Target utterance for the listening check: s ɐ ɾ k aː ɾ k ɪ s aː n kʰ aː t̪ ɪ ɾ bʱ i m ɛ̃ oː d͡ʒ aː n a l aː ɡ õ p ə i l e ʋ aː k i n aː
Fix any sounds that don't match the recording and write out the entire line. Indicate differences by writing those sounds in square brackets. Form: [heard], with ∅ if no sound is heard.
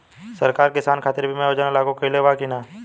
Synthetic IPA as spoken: s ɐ ɾ k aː ɾ k ɪ s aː n kʰ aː t̪ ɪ ɾ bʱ i m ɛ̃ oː d͡ʒ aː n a l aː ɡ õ [k] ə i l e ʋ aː k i n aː